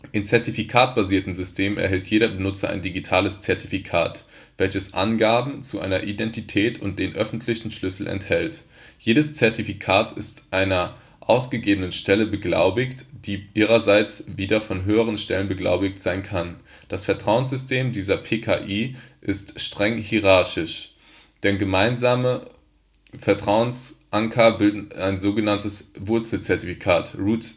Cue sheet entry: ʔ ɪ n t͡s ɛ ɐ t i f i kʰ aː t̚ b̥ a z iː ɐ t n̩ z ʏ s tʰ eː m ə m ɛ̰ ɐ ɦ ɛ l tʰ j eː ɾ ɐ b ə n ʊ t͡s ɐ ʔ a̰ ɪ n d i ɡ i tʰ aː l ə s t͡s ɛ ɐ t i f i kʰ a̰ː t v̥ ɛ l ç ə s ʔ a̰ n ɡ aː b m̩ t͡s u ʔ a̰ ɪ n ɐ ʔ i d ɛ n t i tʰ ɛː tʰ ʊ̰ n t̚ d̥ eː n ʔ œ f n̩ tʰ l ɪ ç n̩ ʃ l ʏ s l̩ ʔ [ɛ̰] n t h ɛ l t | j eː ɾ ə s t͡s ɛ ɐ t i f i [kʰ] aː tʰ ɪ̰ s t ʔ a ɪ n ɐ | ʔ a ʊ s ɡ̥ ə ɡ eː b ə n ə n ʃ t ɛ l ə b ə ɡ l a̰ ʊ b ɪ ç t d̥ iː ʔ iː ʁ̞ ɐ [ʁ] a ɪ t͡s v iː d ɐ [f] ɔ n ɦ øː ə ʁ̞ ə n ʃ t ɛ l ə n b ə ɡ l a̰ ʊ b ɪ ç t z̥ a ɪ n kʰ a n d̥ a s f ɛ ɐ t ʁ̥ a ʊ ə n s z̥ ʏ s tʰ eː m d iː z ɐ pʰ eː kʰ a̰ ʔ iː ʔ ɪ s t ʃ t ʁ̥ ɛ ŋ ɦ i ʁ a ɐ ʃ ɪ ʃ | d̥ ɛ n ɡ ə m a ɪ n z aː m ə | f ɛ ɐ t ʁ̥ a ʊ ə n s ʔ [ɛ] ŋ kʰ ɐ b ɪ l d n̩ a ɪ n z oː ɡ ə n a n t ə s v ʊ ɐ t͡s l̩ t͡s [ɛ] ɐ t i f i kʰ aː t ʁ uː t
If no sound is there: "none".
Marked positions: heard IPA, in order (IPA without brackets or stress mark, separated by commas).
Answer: ɛ̰, kʰ, z, f, a, ɛ